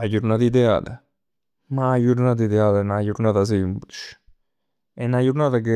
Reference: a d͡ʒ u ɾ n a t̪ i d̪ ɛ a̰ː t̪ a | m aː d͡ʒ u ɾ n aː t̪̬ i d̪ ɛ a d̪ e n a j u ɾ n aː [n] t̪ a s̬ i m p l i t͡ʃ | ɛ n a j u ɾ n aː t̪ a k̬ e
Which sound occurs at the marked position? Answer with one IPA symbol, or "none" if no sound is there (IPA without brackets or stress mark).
none